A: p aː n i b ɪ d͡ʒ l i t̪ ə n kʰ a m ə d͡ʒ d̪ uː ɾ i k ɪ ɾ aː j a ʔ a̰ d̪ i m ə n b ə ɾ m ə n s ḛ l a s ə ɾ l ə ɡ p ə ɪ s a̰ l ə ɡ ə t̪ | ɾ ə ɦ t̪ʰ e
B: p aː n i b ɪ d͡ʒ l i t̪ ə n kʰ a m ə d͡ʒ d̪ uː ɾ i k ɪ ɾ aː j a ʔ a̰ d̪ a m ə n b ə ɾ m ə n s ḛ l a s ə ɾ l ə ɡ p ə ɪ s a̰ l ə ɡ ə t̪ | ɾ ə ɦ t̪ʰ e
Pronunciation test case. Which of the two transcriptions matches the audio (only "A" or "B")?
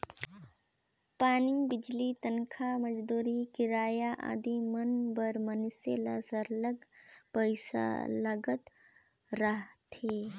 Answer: A